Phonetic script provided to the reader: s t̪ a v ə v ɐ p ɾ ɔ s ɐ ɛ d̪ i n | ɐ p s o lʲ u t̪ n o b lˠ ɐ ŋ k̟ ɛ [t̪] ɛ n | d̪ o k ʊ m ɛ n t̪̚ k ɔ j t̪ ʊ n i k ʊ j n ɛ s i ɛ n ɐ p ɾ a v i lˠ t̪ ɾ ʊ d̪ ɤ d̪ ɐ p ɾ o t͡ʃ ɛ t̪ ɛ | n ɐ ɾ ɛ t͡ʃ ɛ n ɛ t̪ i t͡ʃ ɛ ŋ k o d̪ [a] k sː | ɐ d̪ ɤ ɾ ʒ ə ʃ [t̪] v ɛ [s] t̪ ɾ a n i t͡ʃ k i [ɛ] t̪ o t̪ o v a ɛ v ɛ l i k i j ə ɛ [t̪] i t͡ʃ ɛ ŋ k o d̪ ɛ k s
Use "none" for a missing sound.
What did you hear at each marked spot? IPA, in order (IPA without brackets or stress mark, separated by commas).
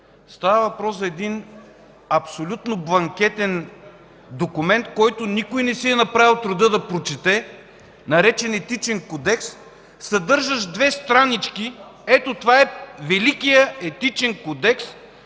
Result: t̪, ɛ, d̪, s, ɛ, t̪